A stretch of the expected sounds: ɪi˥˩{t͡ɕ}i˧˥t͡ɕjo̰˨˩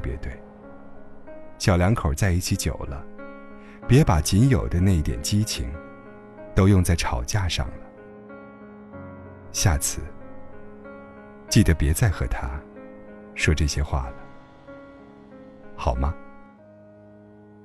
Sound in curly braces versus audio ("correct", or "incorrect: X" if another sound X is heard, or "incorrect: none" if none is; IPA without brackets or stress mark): incorrect: t͡ɕʰ